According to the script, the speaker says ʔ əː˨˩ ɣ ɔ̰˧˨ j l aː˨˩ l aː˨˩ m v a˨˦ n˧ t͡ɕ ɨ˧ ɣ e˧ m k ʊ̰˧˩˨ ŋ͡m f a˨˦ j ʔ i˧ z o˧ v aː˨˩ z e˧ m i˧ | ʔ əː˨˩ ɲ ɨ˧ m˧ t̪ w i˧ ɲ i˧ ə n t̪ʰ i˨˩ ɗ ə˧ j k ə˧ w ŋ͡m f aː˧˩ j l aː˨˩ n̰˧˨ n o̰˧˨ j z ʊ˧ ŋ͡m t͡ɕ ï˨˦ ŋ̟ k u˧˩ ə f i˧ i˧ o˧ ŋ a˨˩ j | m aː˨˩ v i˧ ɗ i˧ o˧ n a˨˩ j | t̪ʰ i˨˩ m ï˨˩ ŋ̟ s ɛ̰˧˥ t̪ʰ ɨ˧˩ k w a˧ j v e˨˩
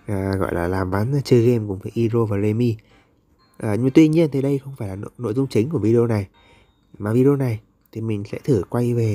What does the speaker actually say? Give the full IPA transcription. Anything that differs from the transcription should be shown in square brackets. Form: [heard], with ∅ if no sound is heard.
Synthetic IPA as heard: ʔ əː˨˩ ɣ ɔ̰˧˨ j l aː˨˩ l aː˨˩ m v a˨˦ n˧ t͡ɕ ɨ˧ ɣ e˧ m k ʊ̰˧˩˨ ŋ͡m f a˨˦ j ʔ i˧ z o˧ v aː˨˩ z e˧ m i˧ | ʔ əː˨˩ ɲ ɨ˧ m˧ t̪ w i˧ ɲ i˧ ə n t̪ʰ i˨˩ ɗ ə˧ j [x] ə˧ w ŋ͡m f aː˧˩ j l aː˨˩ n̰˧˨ n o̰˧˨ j z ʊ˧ ŋ͡m t͡ɕ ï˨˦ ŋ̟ k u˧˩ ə [v] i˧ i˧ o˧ [n] a˨˩ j | m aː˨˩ v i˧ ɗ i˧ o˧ n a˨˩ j | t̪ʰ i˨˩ m ï˨˩ ŋ̟ s ɛ̰˧˥ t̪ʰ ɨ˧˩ k w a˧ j v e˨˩